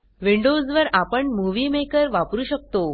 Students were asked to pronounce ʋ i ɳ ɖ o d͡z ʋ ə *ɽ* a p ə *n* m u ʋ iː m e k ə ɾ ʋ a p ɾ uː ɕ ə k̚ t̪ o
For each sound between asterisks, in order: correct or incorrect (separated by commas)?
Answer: incorrect, incorrect